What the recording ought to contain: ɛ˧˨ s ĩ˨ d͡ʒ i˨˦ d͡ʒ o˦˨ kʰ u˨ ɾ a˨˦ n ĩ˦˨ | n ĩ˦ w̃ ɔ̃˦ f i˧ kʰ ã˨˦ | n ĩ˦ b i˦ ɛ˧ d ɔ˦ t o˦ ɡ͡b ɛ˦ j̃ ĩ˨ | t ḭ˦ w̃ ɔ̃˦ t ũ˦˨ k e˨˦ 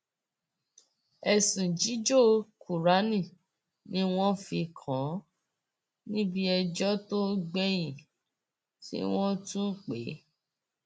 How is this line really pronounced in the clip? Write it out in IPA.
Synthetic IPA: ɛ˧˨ s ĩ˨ d͡ʒ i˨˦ d͡ʒ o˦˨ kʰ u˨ ɾ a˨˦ n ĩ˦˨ | n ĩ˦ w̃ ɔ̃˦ f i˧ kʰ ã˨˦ | n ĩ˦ b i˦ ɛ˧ d͡ʒ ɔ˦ t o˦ ɡ͡b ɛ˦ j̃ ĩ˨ | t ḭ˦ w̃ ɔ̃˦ t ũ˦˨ k͡p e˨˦